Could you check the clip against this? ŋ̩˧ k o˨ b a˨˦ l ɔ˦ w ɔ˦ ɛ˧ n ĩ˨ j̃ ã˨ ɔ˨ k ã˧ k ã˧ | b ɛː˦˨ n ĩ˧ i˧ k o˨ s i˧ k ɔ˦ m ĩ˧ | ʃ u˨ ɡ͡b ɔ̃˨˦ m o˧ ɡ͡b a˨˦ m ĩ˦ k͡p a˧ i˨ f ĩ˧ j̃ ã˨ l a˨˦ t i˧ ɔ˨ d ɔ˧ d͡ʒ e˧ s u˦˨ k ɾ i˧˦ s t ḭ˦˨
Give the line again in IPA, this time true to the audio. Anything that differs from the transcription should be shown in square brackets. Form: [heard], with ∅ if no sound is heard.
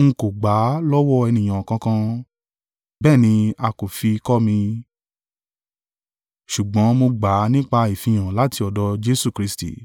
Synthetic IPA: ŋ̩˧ k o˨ [ɡ͡b] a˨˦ l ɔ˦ w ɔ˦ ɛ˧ n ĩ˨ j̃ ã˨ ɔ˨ k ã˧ k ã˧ | b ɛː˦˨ n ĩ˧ [a˧] k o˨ [f] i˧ k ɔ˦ m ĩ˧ | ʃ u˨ ɡ͡b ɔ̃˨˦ m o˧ ɡ͡b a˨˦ [n] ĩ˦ k͡p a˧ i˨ f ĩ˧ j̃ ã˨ l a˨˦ t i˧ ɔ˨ d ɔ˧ d͡ʒ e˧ s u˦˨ k ɾ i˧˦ s t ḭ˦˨